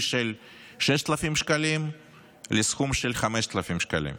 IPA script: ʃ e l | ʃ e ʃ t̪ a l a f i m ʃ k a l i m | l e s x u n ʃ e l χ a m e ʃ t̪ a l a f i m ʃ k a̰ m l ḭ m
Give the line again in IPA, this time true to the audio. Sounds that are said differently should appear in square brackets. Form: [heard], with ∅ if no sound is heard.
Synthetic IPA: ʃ e l | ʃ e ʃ t̪ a l a f i m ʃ k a l i m | l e s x u [m] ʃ e l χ a m e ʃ t̪ a l a f i m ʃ k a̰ [∅] l ḭ m

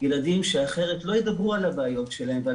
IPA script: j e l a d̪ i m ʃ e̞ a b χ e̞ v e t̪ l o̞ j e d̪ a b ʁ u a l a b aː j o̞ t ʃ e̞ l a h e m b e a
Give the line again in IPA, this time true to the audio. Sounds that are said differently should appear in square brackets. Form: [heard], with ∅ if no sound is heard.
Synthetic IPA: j e l a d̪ i m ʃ e̞ a [∅] χ e̞ [ʁ] e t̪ l o̞ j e d̪ a b ʁ u a l a b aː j o̞ t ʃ e̞ l a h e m [v] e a

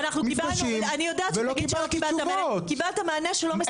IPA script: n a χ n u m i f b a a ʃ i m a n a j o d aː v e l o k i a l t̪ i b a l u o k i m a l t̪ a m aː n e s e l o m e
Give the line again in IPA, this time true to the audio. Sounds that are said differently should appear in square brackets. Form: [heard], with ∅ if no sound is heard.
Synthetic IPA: n a χ n u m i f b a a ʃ i m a n [i] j o d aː v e l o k i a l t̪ i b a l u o k i [b] a l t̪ a m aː n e [ʃ] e l o m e

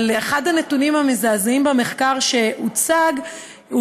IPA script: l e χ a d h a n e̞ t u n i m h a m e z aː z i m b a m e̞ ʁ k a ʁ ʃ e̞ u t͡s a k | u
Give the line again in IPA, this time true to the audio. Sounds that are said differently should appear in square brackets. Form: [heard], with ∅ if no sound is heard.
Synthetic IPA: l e χ a d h a n e̞ t u n i m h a m e z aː z i m b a m e̞ [χ] k a ʁ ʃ e̞ u t͡s a [ɡ] | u

